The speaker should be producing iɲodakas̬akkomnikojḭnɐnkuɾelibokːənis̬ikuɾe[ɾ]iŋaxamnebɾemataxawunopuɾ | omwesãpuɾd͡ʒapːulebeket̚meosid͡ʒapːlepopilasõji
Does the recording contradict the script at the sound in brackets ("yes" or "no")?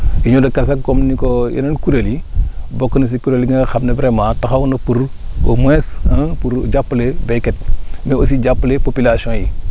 yes